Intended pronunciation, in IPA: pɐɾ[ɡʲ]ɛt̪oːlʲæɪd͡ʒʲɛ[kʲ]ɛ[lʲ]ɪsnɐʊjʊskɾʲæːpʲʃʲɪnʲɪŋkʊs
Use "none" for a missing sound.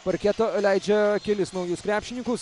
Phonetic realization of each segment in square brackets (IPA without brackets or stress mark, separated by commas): kʲ, kʲ, lʲ